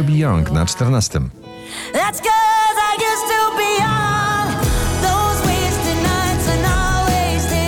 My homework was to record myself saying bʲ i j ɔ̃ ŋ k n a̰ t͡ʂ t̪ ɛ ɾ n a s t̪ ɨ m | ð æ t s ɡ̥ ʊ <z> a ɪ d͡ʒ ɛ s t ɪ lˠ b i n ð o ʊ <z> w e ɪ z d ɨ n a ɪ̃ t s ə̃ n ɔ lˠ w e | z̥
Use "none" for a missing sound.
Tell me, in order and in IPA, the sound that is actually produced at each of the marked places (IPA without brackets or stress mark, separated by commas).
z, z